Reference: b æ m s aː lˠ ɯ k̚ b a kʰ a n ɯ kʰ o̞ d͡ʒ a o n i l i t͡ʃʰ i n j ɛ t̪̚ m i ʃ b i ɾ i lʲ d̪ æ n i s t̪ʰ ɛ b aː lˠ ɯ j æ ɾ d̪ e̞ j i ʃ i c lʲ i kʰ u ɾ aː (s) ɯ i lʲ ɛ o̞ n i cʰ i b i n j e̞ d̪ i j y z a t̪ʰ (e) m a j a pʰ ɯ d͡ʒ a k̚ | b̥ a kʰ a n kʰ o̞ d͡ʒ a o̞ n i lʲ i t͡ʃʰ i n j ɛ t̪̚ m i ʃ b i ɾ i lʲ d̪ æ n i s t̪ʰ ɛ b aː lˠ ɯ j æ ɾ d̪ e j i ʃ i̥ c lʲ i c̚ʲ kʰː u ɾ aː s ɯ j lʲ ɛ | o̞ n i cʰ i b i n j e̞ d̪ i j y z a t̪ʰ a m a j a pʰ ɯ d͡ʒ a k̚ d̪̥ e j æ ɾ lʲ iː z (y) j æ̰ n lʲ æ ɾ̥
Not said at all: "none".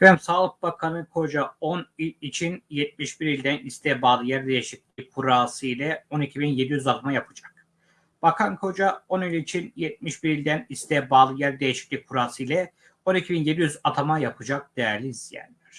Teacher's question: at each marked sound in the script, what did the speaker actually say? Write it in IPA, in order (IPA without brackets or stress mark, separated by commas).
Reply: s, a, i